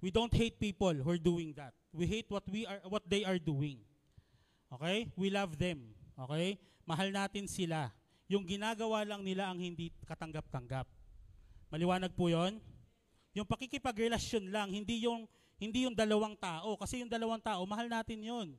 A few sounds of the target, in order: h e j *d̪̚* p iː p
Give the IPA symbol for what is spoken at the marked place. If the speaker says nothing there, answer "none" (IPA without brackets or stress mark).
t̪̚